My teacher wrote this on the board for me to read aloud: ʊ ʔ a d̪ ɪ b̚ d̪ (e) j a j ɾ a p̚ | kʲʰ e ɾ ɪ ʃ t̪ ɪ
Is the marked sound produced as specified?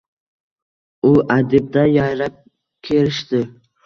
no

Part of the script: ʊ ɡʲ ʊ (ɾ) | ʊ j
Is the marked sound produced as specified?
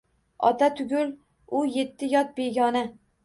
no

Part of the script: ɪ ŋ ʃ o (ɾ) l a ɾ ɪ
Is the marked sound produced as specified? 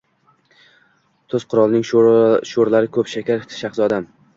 yes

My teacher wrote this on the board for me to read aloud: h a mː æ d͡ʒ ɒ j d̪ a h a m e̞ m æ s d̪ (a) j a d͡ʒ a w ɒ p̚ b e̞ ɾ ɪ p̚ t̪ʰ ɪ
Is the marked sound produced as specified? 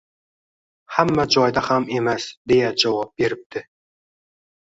no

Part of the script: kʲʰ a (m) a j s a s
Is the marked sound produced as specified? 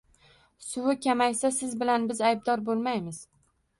yes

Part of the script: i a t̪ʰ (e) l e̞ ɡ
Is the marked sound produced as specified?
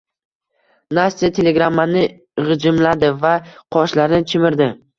yes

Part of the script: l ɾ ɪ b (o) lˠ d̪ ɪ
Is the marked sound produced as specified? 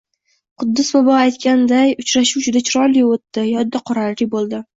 yes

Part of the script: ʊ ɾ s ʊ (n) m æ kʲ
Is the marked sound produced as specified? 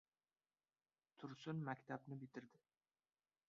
yes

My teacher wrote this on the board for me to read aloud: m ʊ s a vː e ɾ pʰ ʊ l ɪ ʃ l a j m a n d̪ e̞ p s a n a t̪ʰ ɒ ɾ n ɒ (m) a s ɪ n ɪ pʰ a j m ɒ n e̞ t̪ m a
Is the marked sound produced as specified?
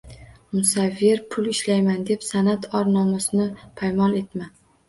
yes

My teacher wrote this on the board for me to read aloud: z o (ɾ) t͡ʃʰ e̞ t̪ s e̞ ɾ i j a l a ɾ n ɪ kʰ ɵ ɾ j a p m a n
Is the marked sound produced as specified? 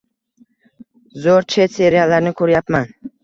yes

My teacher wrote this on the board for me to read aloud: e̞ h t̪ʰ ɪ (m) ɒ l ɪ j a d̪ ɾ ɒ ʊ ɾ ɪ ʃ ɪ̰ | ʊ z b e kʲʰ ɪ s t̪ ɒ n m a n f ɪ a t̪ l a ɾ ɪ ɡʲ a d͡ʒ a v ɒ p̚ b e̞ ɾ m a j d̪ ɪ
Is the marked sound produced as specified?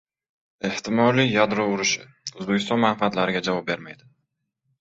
yes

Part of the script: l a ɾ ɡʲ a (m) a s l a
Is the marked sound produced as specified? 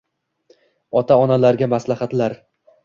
yes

